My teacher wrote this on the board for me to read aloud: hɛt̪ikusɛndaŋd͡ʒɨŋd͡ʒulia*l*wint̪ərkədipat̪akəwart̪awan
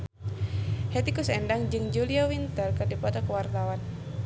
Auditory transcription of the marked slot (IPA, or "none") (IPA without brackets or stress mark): none